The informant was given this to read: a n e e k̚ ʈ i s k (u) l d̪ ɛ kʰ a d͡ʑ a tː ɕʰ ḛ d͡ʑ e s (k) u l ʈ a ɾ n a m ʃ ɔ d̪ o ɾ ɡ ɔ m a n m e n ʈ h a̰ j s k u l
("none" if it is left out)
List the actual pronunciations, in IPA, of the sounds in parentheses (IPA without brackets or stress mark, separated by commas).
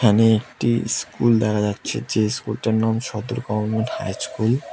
u, k